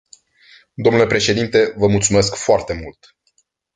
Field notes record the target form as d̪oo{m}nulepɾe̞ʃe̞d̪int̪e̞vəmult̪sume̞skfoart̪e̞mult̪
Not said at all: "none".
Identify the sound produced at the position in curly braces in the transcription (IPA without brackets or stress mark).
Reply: m